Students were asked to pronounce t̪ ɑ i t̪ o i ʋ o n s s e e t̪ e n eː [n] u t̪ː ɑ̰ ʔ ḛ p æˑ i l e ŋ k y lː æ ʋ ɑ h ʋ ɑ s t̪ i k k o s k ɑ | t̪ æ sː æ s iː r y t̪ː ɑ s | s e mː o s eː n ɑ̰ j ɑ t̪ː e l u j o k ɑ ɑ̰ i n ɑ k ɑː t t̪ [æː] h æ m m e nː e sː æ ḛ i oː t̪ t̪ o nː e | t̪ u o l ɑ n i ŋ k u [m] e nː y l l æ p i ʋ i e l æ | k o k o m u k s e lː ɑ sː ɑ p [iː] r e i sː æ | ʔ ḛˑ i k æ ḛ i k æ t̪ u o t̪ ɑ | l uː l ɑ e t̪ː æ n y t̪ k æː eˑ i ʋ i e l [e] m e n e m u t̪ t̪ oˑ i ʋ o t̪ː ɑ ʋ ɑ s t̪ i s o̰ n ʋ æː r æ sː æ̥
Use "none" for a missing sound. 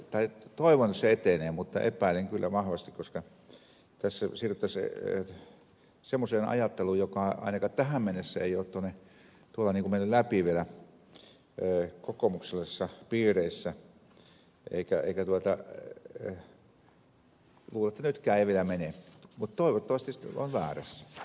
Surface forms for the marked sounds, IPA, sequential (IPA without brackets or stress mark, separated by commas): m, æ, m, iː, æ